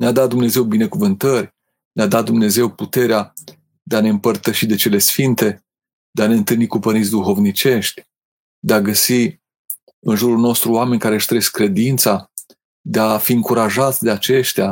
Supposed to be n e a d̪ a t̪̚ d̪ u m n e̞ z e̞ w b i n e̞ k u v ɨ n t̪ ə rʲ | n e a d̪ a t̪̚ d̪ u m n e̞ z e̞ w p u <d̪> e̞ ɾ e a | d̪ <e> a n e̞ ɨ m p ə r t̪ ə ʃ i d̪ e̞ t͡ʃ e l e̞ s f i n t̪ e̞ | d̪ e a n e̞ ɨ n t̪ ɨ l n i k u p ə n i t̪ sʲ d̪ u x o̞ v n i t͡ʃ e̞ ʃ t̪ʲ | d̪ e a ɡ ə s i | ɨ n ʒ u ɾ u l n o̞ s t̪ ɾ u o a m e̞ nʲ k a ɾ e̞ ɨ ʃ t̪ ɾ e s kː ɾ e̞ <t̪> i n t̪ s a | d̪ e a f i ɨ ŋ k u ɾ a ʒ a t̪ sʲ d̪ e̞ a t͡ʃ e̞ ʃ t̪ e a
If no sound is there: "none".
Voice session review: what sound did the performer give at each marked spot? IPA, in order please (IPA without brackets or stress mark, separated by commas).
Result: t̪, e, d̪